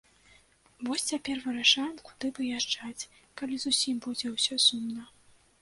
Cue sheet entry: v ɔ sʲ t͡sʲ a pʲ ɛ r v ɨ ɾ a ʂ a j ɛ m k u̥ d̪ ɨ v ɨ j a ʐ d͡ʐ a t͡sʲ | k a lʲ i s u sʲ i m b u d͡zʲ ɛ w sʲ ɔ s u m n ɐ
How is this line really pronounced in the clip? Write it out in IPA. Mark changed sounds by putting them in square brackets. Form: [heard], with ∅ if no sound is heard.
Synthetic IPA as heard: v ɔ sʲ t͡sʲ a pʲ ɛ r v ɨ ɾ a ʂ a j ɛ m k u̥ d̪ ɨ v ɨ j a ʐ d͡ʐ a t͡sʲ | k a lʲ i [z] u sʲ i m b u d͡zʲ ɛ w sʲ ɔ s u m n ɐ

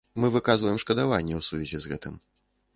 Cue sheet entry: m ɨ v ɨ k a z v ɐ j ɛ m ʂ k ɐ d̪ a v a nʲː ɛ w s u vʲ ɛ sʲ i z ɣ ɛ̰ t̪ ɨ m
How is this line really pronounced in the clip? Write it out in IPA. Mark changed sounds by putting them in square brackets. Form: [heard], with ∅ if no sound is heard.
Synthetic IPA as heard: m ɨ v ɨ k a z v ɐ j ɛ m ʂ k ɐ d̪ a v a nʲː ɛ w s u vʲ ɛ [zʲ] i z ɣ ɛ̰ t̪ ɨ m

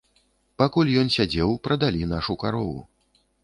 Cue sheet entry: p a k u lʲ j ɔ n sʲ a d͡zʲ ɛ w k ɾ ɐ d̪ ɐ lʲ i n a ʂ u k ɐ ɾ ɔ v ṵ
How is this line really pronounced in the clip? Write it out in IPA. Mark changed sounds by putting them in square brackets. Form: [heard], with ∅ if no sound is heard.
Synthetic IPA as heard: p a k u lʲ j ɔ n sʲ a d͡zʲ ɛ w [p] ɾ ɐ d̪ [a] lʲ i n a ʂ u k [a] ɾ ɔ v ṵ

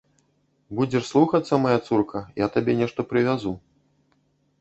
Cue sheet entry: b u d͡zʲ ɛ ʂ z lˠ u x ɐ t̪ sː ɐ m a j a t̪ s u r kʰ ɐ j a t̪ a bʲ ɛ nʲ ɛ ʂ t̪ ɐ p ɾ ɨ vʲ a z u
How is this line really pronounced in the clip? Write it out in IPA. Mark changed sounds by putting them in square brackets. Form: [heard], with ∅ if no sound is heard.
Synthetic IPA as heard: b u d͡zʲ ɛ ʂ [s] lˠ u x ɐ t̪ sː ɐ m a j a t̪ s u r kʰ ɐ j a t̪ a bʲ ɛ nʲ ɛ ʂ t̪ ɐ p ɾ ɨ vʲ a z u

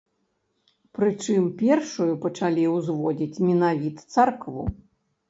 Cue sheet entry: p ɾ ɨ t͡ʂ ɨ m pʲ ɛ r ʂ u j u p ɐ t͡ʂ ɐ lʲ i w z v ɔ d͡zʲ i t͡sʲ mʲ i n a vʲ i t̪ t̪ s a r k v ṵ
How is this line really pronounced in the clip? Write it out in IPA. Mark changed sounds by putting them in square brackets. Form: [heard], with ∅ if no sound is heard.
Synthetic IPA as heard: p ɾ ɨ t͡ʂ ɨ m pʲ ɛ r ʂ u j u p ɐ t͡ʂ [a] lʲ i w z v ɔ d͡zʲ i t͡sʲ mʲ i n a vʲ i t̪ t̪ s a r k v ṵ

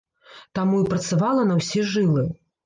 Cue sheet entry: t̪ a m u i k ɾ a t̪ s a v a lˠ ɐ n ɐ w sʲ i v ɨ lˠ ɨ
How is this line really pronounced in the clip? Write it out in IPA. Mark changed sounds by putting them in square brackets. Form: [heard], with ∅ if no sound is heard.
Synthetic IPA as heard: t̪ a m u i [p] ɾ [ɐ] t̪ s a v a lˠ ɐ n ɐ w sʲ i [ʐ] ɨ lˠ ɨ

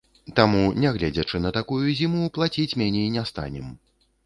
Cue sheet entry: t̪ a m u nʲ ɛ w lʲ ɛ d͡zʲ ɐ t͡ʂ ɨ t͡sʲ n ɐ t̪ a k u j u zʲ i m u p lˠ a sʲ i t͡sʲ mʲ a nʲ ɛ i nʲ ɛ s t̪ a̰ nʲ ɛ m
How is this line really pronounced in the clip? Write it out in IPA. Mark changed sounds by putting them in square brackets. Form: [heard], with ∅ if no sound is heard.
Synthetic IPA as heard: t̪ a m u nʲ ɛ [ɣ] lʲ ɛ d͡zʲ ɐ t͡ʂ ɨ [∅] n ɐ t̪ a k u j u zʲ i m u p lˠ a [t͡sʲ] i t͡sʲ mʲ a nʲ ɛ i nʲ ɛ s t̪ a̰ nʲ ɛ m

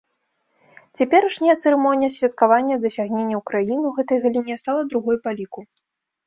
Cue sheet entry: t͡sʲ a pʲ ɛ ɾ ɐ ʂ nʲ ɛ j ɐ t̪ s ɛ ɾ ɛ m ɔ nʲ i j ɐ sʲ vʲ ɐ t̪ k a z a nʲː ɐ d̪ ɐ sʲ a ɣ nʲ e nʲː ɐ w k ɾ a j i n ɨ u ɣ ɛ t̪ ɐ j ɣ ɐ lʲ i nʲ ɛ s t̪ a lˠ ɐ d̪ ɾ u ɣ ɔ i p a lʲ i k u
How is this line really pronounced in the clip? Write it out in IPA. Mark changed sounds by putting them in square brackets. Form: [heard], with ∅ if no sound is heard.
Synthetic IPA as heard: t͡sʲ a pʲ ɛ ɾ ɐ ʂ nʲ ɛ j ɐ t̪ s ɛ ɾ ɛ m ɔ nʲ i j ɐ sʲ vʲ ɐ t̪ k a [v] a nʲː ɐ d̪ ɐ sʲ a ɣ nʲ e nʲː ɐ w k ɾ a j i n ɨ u ɣ ɛ t̪ ɐ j ɣ ɐ lʲ i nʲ ɛ s t̪ a lˠ ɐ d̪ ɾ u ɣ ɔ [j] p a lʲ i k u

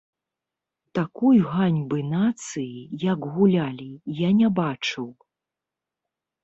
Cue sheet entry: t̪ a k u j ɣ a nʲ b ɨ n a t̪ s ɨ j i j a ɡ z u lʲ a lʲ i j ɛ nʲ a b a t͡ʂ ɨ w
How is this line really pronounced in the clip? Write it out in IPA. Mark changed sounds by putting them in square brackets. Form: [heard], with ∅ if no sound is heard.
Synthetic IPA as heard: t̪ a k u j ɣ a nʲ b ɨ n a t̪ s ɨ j i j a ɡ [ɣ] u lʲ a lʲ i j [a] nʲ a b a t͡ʂ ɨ w

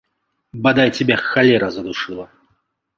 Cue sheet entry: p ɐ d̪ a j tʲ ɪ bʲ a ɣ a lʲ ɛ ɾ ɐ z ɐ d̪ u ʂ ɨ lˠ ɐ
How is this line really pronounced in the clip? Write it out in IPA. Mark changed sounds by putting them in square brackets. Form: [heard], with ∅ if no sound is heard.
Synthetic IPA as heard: [b] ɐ d̪ a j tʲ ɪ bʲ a [x] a lʲ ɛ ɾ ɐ z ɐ d̪ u ʂ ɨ lˠ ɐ

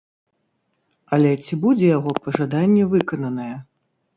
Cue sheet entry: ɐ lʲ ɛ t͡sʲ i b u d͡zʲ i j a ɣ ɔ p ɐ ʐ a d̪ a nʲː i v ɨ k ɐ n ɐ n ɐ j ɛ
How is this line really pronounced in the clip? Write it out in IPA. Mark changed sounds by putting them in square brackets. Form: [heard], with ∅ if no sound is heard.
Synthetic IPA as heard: ɐ lʲ ɛ t͡sʲ i b u d͡zʲ [ɛ] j a ɣ ɔ p ɐ ʐ a d̪ a nʲː [ɛ] v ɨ k ɐ n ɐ n ɐ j ɛ

